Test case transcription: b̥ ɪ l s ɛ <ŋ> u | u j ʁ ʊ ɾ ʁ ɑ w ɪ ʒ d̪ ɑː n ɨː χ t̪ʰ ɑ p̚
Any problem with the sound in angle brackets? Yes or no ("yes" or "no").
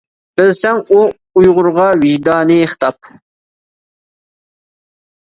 no